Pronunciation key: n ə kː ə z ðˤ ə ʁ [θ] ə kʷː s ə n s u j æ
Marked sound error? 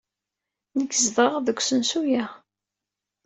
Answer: yes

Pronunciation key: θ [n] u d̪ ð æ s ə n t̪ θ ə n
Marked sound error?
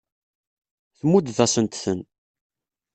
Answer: yes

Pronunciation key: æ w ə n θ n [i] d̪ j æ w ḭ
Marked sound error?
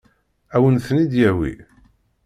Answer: no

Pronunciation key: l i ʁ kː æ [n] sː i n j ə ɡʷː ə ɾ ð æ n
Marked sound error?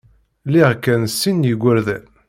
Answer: no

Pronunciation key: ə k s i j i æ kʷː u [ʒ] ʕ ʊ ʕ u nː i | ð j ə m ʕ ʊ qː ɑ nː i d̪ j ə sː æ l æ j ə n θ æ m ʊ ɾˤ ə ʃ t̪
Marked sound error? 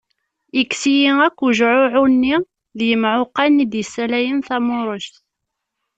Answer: no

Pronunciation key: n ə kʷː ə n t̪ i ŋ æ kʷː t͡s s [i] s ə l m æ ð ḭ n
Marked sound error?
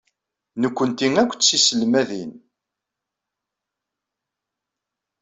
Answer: no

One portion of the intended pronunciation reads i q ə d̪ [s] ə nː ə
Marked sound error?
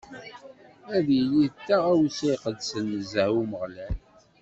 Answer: no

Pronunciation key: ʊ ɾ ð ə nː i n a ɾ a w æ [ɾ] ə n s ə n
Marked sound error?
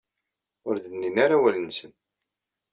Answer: yes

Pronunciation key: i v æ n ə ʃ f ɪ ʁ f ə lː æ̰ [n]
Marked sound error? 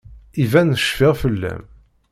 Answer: yes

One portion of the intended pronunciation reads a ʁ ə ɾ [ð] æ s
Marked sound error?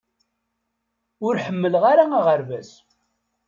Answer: yes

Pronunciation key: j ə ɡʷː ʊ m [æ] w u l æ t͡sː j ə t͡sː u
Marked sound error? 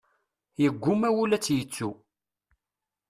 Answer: no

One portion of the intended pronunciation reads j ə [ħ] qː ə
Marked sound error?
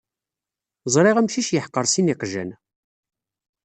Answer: no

